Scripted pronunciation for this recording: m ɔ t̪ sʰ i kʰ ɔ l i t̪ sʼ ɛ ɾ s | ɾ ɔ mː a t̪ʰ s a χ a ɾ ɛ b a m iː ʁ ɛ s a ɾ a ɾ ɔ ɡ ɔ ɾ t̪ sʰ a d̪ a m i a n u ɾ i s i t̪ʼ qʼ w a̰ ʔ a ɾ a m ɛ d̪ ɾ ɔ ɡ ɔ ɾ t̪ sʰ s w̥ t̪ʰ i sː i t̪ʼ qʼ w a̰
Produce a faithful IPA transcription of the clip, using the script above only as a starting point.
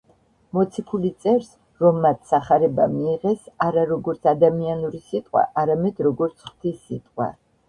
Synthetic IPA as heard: m ɔ t̪ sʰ i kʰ u l i t̪ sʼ ɛ ɾ s | ɾ ɔ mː a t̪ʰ s a χ a ɾ ɛ b a m iː ʁ ɛ s a ɾ a ɾ ɔ ɡ ɔ ɾ t̪ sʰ a d̪ a m i a n u ɾ i s i t̪ʼ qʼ w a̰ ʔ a ɾ a m ɛ d̪ ɾ ɔ ɡ ɔ ɾ t̪ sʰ χ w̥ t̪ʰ i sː i t̪ʼ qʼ w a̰